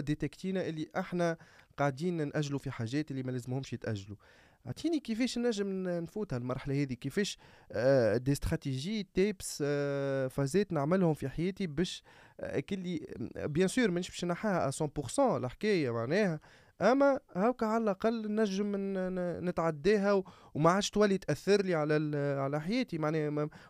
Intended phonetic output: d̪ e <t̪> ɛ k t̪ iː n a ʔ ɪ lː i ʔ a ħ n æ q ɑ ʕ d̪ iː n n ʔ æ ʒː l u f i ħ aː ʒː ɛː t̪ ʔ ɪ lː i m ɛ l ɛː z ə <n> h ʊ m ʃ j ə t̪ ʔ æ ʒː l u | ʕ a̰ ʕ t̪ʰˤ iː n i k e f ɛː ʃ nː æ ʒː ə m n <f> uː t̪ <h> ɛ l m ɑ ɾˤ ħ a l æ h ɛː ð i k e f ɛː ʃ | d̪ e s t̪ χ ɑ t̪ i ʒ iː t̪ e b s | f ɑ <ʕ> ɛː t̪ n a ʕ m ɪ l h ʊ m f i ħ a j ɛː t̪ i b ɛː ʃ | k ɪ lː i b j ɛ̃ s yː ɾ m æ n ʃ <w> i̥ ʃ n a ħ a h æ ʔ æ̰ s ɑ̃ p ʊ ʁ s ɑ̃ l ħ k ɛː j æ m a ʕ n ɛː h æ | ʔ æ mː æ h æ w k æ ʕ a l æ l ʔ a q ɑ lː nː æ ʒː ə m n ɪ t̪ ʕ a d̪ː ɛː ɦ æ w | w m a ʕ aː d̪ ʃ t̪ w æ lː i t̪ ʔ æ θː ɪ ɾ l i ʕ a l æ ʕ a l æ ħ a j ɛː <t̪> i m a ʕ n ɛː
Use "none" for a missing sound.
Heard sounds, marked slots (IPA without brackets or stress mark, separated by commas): t̪, m, f, h, z, b, t̪